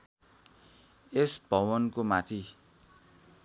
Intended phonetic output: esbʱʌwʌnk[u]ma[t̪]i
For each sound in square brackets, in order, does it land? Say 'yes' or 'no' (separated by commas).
no, no